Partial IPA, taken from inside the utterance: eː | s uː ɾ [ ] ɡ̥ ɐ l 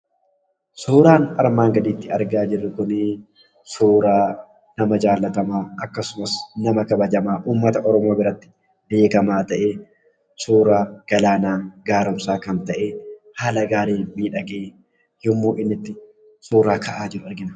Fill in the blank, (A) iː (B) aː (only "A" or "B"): B